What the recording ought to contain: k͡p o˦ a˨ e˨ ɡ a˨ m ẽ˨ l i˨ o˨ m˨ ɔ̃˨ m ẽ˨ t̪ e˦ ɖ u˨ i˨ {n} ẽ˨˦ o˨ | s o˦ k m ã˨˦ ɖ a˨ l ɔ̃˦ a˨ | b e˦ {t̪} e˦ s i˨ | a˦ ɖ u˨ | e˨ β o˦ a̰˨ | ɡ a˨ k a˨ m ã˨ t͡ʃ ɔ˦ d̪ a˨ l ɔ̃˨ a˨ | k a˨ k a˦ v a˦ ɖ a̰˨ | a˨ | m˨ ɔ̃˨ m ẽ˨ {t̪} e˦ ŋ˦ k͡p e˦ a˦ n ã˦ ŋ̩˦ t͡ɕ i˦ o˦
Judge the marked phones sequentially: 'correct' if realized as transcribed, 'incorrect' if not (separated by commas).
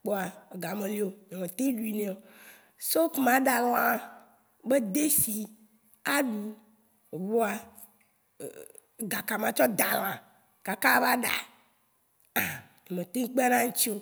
correct, incorrect, correct